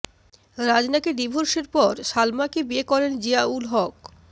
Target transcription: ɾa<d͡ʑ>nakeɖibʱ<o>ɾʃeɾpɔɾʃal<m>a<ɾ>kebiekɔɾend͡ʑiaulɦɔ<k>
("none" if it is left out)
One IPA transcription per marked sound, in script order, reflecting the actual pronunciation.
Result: d͡ʑ, o, m, none, k

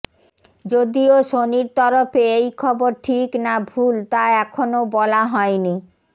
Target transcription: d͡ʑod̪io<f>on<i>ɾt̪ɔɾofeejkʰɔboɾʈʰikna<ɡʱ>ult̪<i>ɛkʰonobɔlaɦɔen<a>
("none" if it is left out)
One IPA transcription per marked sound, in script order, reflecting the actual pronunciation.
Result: ʃ, i, bʱ, a, i

